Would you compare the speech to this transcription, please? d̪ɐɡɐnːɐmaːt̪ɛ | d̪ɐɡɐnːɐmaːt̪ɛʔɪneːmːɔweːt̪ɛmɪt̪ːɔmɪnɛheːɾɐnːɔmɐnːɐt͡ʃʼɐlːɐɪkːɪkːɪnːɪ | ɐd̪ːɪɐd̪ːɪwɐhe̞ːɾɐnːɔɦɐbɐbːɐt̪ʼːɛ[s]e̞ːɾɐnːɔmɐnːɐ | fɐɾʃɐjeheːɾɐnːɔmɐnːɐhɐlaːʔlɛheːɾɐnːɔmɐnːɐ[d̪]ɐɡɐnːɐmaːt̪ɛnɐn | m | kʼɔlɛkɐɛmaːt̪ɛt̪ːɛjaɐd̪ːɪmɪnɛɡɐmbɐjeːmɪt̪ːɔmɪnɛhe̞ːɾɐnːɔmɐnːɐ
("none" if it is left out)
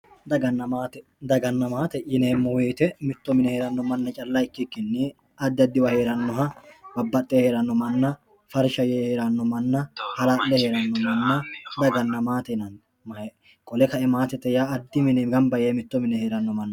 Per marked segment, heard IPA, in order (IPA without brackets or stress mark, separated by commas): h, d̪